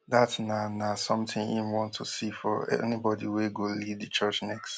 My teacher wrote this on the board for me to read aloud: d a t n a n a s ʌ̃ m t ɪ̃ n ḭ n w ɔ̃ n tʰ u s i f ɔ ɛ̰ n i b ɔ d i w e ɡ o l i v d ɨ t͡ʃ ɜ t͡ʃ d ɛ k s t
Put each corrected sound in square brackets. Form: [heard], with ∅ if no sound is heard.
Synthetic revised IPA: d a t n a n a s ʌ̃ m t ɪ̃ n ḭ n w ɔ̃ n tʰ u s i f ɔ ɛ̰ n i b ɔ d i w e ɡ o l i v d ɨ t͡ʃ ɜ t͡ʃ [n] ɛ k s t